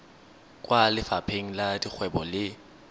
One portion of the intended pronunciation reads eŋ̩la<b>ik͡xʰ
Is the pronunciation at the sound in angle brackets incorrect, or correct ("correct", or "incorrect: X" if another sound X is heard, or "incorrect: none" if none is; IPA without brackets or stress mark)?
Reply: incorrect: d